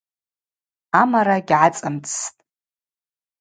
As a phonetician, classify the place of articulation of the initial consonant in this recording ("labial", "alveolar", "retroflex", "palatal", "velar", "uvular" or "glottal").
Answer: labial